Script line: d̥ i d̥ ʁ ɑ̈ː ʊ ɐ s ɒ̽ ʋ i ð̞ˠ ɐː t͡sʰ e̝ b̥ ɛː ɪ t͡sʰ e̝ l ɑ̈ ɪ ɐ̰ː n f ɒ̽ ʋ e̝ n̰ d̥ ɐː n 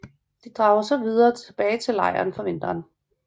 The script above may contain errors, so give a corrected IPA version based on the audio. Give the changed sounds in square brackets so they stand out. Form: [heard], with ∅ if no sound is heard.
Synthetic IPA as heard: d̥ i d̥ ʁ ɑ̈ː ʊ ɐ s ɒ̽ ʋ i ð̞ˠ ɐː t͡sʰ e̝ b̥ ɛː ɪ t͡sʰ e̝ l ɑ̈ ɪ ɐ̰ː n f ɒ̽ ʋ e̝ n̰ d̥ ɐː n